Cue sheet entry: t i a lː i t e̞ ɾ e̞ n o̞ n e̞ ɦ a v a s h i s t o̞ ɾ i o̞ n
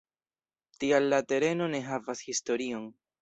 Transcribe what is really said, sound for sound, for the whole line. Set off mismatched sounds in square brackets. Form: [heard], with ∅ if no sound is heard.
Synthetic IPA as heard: t i a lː [a] t e̞ ɾ e̞ n o̞ n e̞ ɦ a v a s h i s t o̞ ɾ i o̞ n